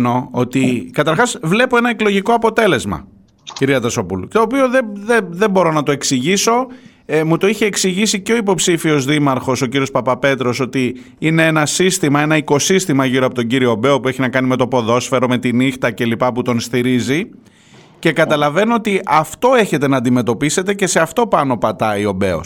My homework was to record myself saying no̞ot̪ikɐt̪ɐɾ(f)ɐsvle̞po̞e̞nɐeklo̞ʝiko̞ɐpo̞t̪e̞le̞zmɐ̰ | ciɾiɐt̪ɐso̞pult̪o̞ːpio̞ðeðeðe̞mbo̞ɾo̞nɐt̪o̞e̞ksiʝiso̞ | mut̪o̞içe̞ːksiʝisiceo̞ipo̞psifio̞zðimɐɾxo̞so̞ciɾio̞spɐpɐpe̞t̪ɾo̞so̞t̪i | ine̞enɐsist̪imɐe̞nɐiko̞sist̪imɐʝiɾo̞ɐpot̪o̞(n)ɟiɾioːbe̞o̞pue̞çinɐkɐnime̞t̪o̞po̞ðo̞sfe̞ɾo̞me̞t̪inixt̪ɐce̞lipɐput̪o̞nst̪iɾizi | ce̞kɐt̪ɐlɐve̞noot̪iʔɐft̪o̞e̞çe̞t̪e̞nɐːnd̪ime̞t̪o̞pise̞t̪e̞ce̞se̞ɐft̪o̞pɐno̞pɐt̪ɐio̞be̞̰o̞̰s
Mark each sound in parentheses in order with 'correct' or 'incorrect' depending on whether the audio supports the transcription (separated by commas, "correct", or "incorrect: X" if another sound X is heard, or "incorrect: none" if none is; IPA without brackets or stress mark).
incorrect: x, incorrect: ɲ